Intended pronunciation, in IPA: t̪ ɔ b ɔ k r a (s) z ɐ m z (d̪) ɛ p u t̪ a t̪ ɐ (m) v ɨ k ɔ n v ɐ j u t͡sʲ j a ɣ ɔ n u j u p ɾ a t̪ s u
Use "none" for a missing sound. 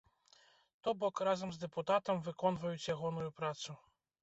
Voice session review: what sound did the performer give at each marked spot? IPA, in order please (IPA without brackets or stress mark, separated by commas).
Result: none, d̪, m